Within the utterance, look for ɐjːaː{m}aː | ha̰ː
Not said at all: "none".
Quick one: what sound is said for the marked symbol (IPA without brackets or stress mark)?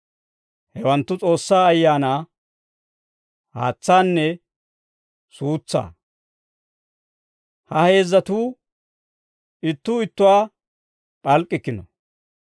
n